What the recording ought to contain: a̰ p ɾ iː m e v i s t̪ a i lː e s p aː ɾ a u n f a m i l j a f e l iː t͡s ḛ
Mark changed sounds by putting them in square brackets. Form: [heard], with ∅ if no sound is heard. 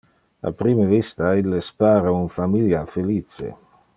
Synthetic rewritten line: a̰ p ɾ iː m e v i s t̪ a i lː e s p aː ɾ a u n f a m i l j a f e l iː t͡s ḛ

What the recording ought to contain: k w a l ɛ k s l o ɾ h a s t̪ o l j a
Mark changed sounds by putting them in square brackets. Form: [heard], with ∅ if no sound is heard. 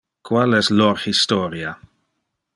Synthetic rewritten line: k w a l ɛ [∅] s l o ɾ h [i] s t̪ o [ɾ] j a

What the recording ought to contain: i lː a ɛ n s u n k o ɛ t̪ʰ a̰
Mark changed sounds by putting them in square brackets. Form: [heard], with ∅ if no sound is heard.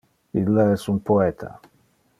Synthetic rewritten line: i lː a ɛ [∅] s u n [p] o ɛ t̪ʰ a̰

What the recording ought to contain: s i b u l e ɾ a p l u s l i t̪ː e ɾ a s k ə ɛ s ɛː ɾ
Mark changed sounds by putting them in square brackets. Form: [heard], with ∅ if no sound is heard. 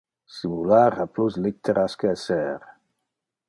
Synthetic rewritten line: s i [m] u l [a] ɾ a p l u s l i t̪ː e ɾ a s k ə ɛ s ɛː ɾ

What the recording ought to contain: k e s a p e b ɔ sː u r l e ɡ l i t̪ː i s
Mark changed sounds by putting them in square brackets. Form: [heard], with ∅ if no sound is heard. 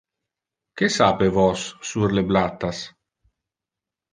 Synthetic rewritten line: k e s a p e [v] ɔ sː u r l e [b] l [a] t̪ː [a] s

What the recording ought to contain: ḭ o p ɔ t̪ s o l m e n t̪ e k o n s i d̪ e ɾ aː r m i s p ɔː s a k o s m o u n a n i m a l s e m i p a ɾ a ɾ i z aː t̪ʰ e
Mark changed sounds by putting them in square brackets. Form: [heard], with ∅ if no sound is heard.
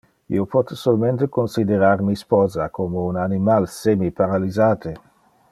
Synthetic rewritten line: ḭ o p ɔ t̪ s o l m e n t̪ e k o n s i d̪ e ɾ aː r m i s p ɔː [z] a k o [∅] m o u n a n i m a l s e m i p a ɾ a [l] i z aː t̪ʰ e

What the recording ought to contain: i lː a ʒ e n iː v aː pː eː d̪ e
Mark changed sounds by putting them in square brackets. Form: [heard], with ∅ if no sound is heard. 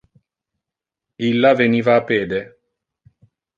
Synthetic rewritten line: i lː a [v] e n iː v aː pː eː d̪ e

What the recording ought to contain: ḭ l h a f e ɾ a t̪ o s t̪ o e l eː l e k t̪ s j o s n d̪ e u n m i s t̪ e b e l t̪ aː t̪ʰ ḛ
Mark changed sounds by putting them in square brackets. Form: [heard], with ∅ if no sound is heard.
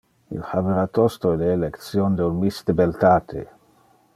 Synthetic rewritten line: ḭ l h a [v] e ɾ a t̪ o s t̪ o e l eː l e k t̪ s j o [∅] n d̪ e u n m i s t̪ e b e l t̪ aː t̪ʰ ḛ

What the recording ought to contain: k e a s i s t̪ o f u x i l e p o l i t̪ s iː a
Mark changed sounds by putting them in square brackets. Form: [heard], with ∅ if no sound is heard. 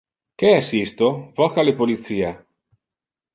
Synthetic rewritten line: k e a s i s t̪ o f [ɔ] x [a] l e p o l i t̪ s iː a

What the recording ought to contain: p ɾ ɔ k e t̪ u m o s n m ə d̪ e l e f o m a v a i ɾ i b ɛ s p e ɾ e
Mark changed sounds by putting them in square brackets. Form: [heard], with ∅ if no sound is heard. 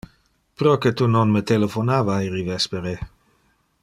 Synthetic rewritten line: p ɾ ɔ k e t̪ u [n] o [∅] n m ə [t̪] e l e f o [n] a v a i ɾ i [v] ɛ s p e ɾ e

